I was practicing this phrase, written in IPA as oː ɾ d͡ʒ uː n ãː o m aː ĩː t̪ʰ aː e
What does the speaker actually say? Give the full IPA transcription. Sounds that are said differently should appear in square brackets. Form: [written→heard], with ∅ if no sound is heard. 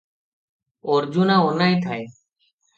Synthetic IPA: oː ɾ d͡ʒ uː n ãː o [m→n] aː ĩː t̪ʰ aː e